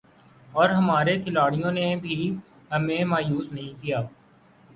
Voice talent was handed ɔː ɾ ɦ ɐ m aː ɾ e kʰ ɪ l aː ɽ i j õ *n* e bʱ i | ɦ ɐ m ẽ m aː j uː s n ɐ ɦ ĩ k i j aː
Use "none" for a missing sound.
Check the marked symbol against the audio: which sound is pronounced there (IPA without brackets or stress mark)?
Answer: n